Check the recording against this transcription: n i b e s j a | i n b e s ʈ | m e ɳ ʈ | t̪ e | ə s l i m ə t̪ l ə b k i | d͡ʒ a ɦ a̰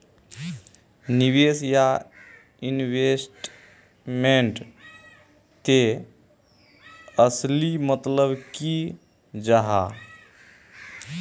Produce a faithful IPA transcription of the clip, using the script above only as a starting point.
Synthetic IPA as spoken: n i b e s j a | i n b e s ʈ | m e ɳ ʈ | t̪ e | ə s l i m ə t̪ l ə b k i | d͡ʒ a ɦ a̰